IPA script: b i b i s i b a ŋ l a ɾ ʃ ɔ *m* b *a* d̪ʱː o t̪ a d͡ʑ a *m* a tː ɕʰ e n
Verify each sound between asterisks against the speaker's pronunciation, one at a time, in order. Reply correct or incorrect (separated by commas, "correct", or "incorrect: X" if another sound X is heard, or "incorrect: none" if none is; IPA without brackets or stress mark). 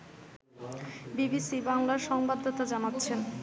incorrect: ŋ, correct, incorrect: n